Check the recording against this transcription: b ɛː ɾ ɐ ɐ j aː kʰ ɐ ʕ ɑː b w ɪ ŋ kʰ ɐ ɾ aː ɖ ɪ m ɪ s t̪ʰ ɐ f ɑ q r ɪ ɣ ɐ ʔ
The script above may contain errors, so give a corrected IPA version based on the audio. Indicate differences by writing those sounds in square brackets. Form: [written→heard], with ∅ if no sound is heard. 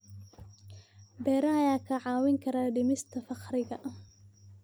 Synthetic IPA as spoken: b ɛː ɾ ɐ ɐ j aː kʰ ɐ ʕ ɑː [b→∅] w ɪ ŋ kʰ ɐ ɾ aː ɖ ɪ m ɪ s t̪ʰ ɐ f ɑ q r ɪ ɣ ɐ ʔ